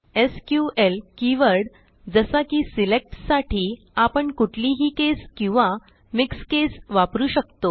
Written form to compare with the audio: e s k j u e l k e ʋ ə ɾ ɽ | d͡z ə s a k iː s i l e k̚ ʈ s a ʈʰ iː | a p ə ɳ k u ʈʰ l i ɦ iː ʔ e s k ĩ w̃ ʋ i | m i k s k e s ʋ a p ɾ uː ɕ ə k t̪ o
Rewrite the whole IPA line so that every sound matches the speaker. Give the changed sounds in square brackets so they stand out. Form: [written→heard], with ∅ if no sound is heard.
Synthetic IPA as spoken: e s k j u e l k [e→i] ʋ ə ɾ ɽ | d͡z ə s a k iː s i l e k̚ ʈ s a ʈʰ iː | a p ə ɳ k u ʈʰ l i ɦ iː [ʔ→k] e s k ĩ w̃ ʋ [i→a] | m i k s k e s ʋ a p ɾ uː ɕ ə k t̪ o